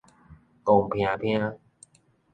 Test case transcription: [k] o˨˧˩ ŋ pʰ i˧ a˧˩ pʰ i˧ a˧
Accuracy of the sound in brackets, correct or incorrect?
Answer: correct